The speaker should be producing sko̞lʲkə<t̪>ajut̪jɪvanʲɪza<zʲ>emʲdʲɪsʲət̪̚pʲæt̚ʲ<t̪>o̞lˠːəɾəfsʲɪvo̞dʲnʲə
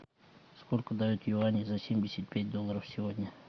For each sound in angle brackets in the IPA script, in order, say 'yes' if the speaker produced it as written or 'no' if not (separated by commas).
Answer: no, no, no